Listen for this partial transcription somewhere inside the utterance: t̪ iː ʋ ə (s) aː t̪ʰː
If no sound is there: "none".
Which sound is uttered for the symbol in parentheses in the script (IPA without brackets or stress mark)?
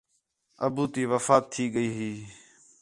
f